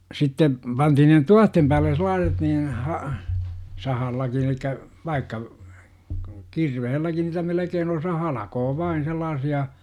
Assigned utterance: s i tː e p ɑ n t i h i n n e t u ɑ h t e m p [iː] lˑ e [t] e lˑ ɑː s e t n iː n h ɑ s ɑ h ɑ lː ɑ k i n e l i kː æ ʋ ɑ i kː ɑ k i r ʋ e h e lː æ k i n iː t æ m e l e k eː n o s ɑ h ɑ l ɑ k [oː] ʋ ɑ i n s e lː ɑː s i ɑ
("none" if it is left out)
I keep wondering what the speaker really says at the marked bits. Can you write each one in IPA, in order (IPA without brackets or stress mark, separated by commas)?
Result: æː, s, oː